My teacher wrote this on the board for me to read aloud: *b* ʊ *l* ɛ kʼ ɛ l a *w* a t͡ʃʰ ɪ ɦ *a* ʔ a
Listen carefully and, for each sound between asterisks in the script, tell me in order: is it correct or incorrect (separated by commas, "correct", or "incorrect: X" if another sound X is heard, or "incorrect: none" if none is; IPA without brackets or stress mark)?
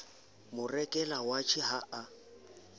incorrect: m, incorrect: r, correct, correct